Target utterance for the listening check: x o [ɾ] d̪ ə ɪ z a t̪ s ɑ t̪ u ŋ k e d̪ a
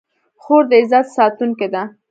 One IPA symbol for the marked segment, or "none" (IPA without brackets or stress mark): ɾ